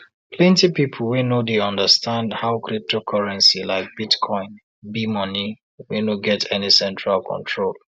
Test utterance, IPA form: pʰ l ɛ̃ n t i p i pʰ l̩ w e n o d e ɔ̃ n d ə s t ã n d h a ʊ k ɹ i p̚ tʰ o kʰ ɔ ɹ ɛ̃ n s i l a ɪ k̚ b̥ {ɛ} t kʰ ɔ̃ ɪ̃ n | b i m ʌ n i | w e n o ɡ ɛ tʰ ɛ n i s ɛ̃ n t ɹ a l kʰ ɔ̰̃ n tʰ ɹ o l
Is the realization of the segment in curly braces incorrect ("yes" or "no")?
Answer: yes